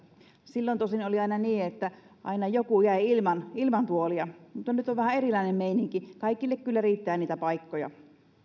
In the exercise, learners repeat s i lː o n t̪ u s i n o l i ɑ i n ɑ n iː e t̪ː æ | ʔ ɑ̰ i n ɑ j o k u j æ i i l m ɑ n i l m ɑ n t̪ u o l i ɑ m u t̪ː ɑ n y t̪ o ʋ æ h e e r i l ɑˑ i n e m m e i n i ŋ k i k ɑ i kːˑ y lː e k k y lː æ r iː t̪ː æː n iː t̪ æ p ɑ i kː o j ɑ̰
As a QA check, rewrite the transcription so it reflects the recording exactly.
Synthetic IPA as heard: s i lː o n t̪ o s i n o l i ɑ i n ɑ n iː e t̪ː æ | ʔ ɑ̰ i n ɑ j o k u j æ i i l m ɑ n i l m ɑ n t̪ u o l i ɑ m u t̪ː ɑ n y t̪ o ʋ æ h æ e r i l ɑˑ i n e m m e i n i ŋ k i k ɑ i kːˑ i lː e k k y lː æ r iː t̪ː æː n iː t̪ æ p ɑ i kː o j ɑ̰